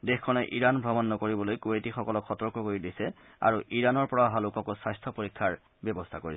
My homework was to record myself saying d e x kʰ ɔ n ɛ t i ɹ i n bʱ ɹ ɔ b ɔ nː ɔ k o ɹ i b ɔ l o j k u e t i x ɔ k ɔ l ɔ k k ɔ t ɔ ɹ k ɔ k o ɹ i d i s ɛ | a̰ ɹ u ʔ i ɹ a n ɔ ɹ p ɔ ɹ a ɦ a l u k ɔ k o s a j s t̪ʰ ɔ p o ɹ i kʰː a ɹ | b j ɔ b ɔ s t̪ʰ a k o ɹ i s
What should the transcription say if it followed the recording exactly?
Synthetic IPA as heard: d e x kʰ ɔ n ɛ ʔ i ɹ a n bʱ ɹ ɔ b ɔ nː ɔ k o ɹ i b ɔ l o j k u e t i x ɔ k ɔ l ɔ k x ɔ t ɔ ɹ k ɔ k o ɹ i d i s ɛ | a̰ ɹ u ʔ i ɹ a n ɔ ɹ p ɔ ɹ a ɦ a l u k ɔ k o s a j s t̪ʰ ɔ p o ɹ i kʰː a ɹ | b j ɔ b ɔ s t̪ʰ a k o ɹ i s